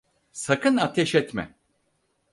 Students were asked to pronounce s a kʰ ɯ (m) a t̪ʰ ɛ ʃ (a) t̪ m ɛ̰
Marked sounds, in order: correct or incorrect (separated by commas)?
incorrect, incorrect